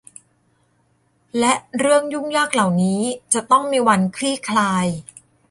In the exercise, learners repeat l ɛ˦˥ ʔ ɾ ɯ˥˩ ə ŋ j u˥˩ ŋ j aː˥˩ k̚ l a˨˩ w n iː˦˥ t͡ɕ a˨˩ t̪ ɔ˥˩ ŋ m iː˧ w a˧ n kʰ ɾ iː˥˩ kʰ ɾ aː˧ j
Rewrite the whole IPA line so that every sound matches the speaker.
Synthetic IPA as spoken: l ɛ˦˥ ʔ ɾ ɯ˥˩ ə ŋ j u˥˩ ŋ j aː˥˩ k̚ l a˨˩ w n iː˦˥ t͡ɕ a˨˩ t̪ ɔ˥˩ ŋ m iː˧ w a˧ n kʰ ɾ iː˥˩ kʰ l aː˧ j